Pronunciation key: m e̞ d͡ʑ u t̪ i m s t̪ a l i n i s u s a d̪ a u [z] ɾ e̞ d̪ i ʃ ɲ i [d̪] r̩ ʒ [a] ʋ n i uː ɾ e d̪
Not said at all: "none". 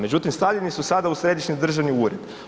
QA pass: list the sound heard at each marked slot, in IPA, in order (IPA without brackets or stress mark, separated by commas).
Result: s, d̪, a